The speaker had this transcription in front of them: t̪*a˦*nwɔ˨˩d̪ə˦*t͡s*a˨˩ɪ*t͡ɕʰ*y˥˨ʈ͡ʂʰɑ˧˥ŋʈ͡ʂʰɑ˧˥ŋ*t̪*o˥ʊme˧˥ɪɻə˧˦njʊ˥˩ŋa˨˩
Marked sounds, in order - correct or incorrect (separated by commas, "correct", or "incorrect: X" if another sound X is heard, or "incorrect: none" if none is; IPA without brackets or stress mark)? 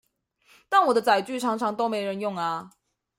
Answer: incorrect: a˥˩, correct, incorrect: t͡ɕ, correct